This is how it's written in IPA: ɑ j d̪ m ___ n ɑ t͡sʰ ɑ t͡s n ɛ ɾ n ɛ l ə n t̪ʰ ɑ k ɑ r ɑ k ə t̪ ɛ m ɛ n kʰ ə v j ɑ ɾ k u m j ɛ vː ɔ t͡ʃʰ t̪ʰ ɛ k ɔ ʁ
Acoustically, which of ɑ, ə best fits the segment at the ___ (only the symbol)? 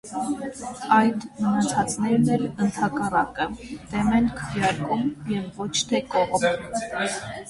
ə